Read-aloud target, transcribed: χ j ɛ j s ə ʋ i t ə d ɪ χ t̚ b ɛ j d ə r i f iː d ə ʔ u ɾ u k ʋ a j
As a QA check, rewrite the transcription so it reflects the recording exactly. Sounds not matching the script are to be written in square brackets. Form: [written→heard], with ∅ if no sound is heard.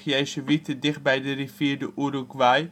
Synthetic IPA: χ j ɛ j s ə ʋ i t ə d ɪ χ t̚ b ɛ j d ə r i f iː d ə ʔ u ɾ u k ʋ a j

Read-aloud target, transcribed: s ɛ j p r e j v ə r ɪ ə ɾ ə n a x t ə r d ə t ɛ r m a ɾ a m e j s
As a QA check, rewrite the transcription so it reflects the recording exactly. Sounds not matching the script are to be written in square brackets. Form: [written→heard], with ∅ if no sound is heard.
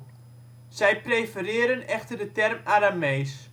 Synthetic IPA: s ɛ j p r e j [v→f] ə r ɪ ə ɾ ə n [a→ɛ] x t ə r d ə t ɛ r m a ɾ a m e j s

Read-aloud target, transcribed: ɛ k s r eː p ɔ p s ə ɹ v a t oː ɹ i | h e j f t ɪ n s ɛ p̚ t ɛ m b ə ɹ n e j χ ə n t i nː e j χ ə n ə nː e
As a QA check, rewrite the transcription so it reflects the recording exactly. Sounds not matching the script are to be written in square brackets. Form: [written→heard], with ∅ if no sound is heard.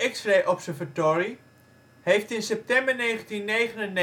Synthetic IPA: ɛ k s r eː [p→ʔ] ɔ p s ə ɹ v a t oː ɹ i | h e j f t ɪ n s ɛ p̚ t ɛ m b ə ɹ n e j χ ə n t i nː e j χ ə n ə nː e

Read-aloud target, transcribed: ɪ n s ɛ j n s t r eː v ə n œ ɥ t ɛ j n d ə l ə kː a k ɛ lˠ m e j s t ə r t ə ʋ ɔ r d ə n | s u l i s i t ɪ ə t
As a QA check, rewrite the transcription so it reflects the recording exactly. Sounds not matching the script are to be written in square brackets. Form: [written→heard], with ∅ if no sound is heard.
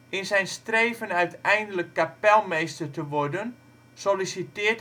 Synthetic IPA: ɪ n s ɛ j n s t r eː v ə n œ ɥ t ɛ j n d ə l ə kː a [k→p] ɛ lˠ m e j s t ə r t ə ʋ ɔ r d ə n | s [u→o] l i s i t ɪ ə t

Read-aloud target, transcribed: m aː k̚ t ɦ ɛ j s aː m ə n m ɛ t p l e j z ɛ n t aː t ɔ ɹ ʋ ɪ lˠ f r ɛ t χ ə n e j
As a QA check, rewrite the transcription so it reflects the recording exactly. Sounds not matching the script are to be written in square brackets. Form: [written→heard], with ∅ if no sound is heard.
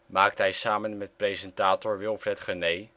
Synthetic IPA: m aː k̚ t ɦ ɛ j s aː m ə n m ɛ t p [l→r] e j z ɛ n t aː t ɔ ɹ ʋ ɪ lˠ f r ɛ t χ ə n e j

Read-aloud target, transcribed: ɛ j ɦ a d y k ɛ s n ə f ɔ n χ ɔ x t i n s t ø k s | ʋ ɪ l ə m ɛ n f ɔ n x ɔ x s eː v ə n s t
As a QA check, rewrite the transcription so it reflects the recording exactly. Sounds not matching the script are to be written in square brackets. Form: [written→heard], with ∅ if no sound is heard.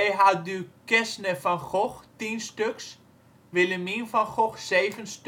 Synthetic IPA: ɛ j ɦ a d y k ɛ s n ə f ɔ n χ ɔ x t i n s t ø k s | ʋ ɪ l ə m [ɛ→i] n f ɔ n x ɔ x s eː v ə n s t

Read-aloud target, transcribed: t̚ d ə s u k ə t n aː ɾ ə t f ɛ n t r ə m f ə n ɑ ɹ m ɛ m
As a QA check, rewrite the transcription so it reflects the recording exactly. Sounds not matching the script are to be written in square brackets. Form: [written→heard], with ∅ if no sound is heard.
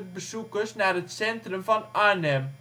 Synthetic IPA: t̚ [d→b] ə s u k ə [t→s] n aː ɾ ə t [f→s] ɛ n t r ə m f [ə→ɑ] n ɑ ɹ [m→n] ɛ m

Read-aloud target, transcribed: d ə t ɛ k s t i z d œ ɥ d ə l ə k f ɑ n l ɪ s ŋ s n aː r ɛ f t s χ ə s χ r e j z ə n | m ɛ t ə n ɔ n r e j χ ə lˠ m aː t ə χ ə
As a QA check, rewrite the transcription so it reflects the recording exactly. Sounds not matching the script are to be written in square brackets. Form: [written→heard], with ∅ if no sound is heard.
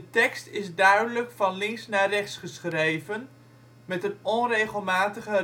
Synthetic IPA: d ə t ɛ k s t [i→ɪ] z d œ ɥ d ə l ə k f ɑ n l ɪ [s→∅] ŋ s n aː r ɛ [f→χ] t s χ ə s χ r e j [z→v] ə n | m ɛ t ə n ɔ n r e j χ ə lˠ m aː t ə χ ə

